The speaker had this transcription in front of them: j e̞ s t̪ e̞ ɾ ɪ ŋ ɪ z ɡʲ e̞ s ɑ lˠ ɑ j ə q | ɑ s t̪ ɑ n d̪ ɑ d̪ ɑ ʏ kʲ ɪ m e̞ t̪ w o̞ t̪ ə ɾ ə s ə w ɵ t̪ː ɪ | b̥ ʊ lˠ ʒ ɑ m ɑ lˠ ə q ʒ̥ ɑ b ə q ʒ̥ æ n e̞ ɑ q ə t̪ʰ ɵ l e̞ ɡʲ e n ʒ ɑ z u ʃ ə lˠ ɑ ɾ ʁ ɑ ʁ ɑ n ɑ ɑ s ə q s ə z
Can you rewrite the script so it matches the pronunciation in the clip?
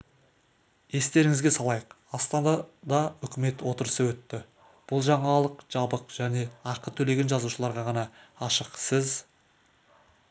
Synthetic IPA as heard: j e̞ s t̪ e̞ ɾ ɪ ŋ ɪ z ɡʲ e̞ s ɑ lˠ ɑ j ə q | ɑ s t̪ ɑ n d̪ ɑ d̪ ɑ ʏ kʲ ɪ m e̞ t̪ w o̞ t̪ ə ɾ ə s ə w ɵ t̪ː ɪ | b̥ ʊ lˠ ʒ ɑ ɴ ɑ lˠ ə q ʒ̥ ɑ b ə q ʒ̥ æ n e̞ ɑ q ə t̪ʰ ɵ l e̞ ɡʲ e n ʒ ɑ z u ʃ ə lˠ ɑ ɾ ʁ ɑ ʁ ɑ n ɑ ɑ ʃ ə q s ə z